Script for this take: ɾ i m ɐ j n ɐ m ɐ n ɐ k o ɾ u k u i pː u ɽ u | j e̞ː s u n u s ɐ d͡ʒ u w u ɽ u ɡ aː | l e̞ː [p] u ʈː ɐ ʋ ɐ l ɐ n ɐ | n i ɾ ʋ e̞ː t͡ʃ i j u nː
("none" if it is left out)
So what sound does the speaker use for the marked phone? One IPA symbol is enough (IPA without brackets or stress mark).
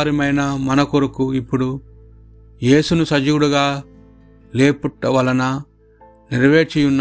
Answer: p